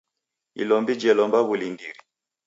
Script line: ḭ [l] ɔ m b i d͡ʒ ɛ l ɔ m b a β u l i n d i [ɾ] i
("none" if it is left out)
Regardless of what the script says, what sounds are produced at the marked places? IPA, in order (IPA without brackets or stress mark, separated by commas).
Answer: l, ɾ